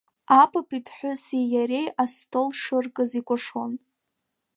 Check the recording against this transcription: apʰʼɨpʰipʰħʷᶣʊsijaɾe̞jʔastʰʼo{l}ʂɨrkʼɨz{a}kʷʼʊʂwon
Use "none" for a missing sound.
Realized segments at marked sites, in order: l, i

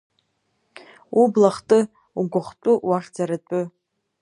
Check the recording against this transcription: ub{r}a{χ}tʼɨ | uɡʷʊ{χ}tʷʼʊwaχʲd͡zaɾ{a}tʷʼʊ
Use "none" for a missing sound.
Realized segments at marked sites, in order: l, χ, χ, a

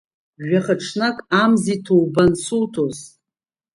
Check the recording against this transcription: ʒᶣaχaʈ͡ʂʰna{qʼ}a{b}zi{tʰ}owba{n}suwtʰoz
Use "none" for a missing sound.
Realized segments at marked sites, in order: kʼ, m, tʰ, n

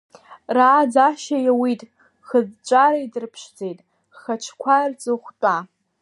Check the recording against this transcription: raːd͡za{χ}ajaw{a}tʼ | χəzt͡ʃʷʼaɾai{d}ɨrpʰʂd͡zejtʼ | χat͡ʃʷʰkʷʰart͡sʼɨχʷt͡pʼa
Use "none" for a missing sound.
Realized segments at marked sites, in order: ʃ, i, d

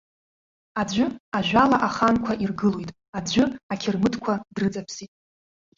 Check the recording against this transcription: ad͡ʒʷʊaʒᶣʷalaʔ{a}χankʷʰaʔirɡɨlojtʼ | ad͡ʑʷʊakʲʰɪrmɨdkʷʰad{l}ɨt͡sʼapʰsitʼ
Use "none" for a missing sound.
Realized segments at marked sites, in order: a, r

